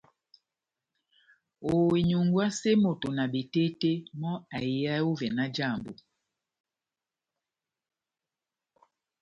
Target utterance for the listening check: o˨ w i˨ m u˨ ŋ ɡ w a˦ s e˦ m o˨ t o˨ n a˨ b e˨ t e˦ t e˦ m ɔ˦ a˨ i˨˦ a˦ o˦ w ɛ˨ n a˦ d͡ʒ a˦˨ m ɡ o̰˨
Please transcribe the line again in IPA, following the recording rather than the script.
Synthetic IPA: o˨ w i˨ ɲ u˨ ŋ ɡ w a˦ s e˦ m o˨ t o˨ n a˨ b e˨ t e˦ t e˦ m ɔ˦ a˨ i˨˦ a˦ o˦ v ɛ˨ n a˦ d͡ʒ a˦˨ m b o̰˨